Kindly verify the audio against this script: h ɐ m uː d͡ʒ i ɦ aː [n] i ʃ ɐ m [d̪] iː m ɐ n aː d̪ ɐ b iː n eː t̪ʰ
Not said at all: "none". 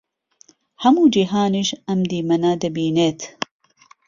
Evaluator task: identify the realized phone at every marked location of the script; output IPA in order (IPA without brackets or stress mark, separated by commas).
n, d̪